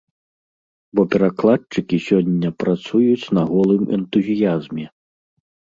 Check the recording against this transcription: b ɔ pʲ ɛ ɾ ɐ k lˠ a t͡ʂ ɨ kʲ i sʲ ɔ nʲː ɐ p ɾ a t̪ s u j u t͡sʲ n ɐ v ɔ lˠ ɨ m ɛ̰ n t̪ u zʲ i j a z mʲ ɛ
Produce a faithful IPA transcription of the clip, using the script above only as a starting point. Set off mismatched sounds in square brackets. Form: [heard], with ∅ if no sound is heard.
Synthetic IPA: b ɔ pʲ ɛ ɾ [a] k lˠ a t͡ʂ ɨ kʲ i sʲ ɔ nʲː ɐ p ɾ a t̪ s u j u t͡sʲ n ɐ [ɣ] ɔ lˠ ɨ m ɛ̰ n t̪ u zʲ i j a z mʲ ɛ